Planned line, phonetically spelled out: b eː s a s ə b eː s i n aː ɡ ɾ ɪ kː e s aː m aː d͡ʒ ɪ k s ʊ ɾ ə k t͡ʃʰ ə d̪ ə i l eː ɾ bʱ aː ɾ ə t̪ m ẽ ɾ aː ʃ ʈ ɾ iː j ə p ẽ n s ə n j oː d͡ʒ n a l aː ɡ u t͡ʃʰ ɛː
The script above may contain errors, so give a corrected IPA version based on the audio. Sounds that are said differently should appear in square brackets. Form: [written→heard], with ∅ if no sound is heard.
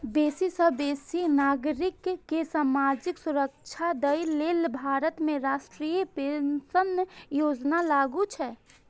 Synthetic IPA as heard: b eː s [a→i] s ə b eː s i n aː ɡ ɾ ɪ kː e s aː m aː d͡ʒ ɪ k s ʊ ɾ ə k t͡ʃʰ [ə→a] d̪ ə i l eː [ɾ→l] bʱ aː ɾ ə t̪ m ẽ ɾ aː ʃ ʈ ɾ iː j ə p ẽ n s ə n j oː d͡ʒ n a l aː ɡ u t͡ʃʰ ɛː